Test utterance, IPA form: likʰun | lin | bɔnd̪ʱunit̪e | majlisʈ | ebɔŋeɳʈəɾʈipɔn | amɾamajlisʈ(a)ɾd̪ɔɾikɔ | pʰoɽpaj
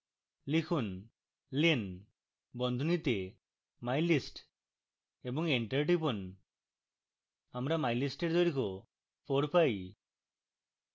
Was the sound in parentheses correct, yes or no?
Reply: no